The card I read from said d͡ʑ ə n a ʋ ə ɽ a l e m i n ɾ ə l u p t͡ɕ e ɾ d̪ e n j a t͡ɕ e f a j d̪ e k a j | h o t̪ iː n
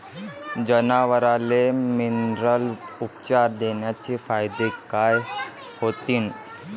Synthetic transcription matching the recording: d͡ʑ ə n a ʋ ə ɾ a l e m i n ɾ ə l u p t͡ɕ a ɾ d̪ e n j a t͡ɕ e f a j d̪ e k a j | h o t̪ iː n